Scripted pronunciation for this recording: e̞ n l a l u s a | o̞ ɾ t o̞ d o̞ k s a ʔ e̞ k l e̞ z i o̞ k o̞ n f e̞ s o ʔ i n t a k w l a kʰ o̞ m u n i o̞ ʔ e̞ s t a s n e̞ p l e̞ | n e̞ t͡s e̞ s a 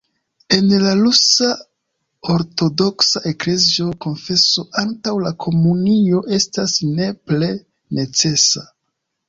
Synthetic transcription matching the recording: e̞ n l a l u s a | o̞ ɾ t o̞ d o̞ k s a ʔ e̞ k l e̞ z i o̞ k o̞ n f e̞ s o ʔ a n t a w l a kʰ o̞ m u n i o̞ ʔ e̞ s t a s n e̞ p l e̞ | n e̞ t͡s e̞ s a